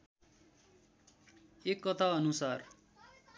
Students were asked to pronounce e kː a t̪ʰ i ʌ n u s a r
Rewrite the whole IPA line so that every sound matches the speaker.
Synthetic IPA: e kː ʌ t̪ʰ a ʌ n u s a r